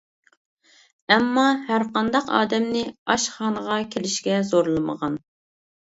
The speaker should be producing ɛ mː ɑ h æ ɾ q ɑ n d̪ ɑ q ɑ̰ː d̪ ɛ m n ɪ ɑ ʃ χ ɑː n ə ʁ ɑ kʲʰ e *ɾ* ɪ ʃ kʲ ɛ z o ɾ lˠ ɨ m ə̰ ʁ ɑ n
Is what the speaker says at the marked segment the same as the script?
no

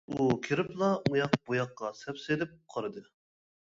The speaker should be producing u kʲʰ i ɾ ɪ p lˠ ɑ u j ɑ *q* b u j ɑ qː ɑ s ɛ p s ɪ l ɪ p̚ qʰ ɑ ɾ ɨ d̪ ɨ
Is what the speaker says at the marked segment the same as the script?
yes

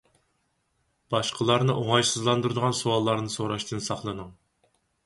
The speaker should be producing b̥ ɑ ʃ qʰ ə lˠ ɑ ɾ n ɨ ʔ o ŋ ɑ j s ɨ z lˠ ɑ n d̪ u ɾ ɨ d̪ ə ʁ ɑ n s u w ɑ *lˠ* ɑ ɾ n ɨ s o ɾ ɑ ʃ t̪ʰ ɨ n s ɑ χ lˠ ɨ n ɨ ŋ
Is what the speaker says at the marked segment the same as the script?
no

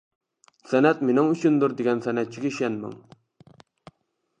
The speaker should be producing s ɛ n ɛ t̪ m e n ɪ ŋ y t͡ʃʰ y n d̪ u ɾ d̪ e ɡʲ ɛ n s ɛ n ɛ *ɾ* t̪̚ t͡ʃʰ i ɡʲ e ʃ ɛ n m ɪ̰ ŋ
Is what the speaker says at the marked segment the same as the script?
no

